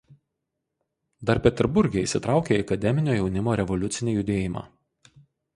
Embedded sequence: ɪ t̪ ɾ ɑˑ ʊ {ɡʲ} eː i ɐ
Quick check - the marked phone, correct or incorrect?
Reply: incorrect